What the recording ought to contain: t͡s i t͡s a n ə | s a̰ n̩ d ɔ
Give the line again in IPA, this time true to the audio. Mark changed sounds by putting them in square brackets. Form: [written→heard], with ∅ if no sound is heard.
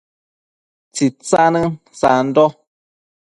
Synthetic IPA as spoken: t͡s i t͡s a n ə | s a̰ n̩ d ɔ

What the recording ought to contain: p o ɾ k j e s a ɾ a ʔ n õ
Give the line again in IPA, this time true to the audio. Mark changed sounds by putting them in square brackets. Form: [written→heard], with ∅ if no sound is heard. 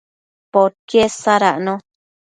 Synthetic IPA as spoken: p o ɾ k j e s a ɾ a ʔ n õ

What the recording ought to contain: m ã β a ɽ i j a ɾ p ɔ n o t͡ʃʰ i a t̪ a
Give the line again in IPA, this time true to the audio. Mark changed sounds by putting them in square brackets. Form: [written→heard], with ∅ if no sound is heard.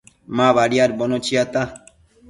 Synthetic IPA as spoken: m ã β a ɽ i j a ɾ [p→b] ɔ n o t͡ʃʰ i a t̪ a

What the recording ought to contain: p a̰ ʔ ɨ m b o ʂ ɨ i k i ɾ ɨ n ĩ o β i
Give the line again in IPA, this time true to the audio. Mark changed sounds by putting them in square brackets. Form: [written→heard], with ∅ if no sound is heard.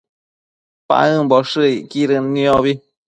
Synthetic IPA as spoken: p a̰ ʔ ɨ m b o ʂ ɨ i k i ɾ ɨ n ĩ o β i

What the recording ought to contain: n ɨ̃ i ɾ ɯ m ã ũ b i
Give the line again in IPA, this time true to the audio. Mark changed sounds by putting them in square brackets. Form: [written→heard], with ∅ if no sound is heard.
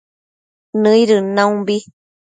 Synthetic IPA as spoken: n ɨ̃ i ɾ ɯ [m→n] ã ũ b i

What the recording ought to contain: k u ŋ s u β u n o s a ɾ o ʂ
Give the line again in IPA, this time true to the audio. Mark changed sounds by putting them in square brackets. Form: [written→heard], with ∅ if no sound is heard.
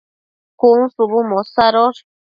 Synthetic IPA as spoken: k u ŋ s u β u [n→m] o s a ɾ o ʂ

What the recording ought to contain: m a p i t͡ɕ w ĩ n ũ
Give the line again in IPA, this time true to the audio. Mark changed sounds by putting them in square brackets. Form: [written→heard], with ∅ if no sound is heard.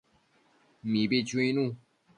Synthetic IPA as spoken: m [a→i] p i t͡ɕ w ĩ n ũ

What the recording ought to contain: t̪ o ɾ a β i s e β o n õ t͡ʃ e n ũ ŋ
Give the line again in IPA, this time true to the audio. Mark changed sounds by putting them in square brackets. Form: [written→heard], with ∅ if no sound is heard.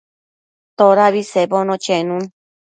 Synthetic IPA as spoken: t̪ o ɾ a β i s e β o n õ t͡ʃ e n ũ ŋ

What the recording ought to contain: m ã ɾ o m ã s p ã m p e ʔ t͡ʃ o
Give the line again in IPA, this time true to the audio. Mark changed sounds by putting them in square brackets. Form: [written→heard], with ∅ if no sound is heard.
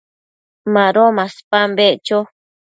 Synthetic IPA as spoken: m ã ɾ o m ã s p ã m [p→b] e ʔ t͡ʃ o

